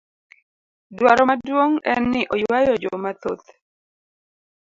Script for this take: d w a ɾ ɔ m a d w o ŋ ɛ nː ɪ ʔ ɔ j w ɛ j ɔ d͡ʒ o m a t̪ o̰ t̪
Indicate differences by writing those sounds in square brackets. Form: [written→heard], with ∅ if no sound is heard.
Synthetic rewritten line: d w a ɾ ɔ m a d w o ŋ ɛ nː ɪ ʔ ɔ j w [ɛ→a] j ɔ d͡ʒ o m a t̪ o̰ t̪

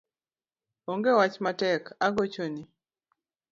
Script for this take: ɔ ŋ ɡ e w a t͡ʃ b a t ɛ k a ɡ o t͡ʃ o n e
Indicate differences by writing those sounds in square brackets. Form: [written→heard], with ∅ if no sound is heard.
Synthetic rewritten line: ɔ ŋ ɡ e w a t͡ʃ [b→m] a t ɛ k a ɡ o t͡ʃ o n [e→i]

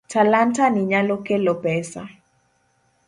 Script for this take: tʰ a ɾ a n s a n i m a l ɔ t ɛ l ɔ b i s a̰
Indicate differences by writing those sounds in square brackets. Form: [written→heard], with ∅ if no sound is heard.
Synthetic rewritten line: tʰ a [ɾ→l] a n [s→t] a n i [m→ɲ] a l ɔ [t→k] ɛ l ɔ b [i→ɛ] s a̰

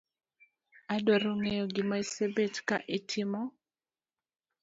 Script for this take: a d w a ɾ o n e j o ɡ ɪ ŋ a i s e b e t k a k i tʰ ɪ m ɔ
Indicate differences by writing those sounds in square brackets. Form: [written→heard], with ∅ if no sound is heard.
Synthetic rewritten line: a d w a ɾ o [n→ŋ] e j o ɡ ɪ [ŋ→m] a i s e b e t k a [k→ʔ] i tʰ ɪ m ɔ

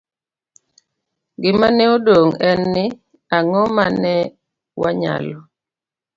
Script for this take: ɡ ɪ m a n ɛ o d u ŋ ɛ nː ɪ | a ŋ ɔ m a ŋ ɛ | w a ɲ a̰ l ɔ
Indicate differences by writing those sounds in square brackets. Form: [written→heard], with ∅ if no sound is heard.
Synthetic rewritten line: ɡ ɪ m a n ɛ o d [u→o] ŋ ɛ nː ɪ | a ŋ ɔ m a [ŋ→n] ɛ | w a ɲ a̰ l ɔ

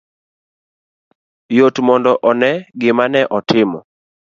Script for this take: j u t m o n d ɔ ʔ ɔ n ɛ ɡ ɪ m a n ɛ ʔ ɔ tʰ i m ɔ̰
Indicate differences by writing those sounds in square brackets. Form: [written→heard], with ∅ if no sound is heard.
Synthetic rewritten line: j [u→o] t m [o→ɔ] n d ɔ ʔ ɔ n ɛ ɡ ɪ m a n ɛ ʔ ɔ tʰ [i→ɪ] m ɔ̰

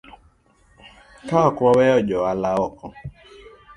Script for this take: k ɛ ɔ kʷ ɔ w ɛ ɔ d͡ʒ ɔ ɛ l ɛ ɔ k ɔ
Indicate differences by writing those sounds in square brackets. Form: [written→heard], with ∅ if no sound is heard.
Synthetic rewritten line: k [ɛ→a] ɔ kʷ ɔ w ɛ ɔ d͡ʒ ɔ [ɛ→a] l [ɛ→a] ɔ k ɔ

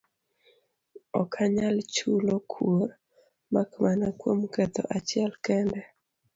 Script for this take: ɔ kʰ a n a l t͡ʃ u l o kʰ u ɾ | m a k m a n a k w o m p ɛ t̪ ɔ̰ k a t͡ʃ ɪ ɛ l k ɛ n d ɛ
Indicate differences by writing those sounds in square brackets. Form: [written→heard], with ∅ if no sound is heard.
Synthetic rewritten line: ɔ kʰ a [n→ɲ] a l t͡ʃ u l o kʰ u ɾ | m a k m a n a k w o m [p→k] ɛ t̪ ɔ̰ [k→ʔ] a t͡ʃ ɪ ɛ l k ɛ n d ɛ

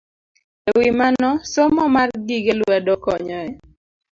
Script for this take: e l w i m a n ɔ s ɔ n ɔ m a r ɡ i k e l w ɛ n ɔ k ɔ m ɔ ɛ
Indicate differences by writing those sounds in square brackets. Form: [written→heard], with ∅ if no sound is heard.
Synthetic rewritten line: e [l→∅] w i m a n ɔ s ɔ [n→m] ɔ m a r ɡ i [k→ɡ] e l w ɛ [n→d] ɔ k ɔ [m→ɲ] ɔ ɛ

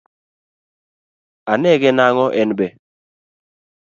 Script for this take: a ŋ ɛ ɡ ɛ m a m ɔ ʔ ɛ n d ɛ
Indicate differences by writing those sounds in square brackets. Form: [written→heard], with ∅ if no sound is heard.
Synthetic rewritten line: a [ŋ→n] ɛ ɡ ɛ [m→n] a [m→ŋ] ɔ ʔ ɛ n [d→b] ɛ

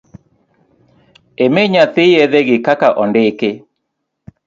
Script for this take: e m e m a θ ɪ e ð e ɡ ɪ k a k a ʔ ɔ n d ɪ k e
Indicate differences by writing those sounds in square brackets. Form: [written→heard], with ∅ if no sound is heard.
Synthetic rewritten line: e m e [m→ɲ] a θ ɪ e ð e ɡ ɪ k a k a ʔ ɔ n d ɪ k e

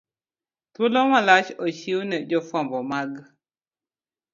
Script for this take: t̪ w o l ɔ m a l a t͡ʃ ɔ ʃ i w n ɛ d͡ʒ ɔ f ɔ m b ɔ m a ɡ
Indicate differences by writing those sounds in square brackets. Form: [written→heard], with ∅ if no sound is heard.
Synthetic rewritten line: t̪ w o l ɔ m a l a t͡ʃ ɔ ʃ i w n ɛ d͡ʒ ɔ f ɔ m b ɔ m a ɡ

